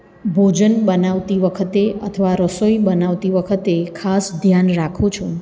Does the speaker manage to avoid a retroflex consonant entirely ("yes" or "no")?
yes